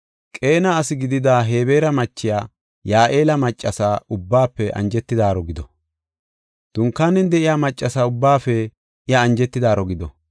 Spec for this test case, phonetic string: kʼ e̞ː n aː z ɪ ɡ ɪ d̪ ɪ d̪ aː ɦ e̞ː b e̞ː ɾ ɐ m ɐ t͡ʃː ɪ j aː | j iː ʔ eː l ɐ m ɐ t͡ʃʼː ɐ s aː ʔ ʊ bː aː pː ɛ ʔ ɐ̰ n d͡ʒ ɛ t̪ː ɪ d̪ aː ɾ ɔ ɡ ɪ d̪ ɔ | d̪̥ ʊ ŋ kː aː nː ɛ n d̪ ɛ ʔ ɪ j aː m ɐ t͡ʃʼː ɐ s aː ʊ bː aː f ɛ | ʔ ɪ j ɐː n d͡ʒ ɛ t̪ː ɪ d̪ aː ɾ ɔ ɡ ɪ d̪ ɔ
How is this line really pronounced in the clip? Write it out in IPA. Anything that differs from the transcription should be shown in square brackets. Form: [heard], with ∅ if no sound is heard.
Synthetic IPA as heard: kʼ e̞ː n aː [s] ɪ ɡ ɪ d̪ ɪ d̪ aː ɦ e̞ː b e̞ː ɾ ɐ m ɐ t͡ʃː ɪ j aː | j [aː] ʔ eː l ɐ m ɐ t͡ʃʼː ɐ s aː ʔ ʊ bː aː pː ɛ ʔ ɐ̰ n d͡ʒ ɛ t̪ː ɪ d̪ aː ɾ ɔ ɡ ɪ d̪ ɔ | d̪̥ ʊ ŋ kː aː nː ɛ n d̪ ɛ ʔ ɪ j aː m ɐ t͡ʃʼː ɐ s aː ʊ bː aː f ɛ | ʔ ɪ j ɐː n d͡ʒ ɛ t̪ː ɪ d̪ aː ɾ ɔ ɡ ɪ d̪ ɔ